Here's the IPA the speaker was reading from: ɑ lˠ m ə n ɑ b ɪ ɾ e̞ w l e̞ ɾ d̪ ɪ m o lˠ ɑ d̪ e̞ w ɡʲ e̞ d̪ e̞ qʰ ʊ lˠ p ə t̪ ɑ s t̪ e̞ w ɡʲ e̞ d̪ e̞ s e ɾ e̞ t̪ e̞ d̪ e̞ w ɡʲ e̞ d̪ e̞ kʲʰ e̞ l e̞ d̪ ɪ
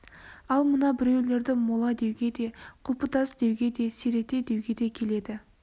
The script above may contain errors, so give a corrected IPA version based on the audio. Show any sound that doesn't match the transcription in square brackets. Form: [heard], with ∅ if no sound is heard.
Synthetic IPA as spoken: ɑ lˠ m ə n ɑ b ɪ ɾ e̞ w l e̞ ɾ d̪ ɪ m o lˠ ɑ d̪ e̞ w ɡʲ e̞ d̪ e̞ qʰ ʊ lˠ p ə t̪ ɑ s [d̪] e̞ w ɡʲ e̞ d̪ e̞ s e ɾ e̞ t̪ e̞ d̪ e̞ w ɡʲ e̞ d̪ e̞ kʲʰ e̞ l e̞ d̪ ɪ